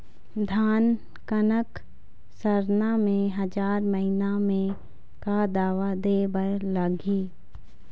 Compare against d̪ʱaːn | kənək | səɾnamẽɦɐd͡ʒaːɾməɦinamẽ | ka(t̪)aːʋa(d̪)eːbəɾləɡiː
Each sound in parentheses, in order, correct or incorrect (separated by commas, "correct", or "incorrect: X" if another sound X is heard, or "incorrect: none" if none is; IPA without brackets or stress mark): incorrect: d̪, correct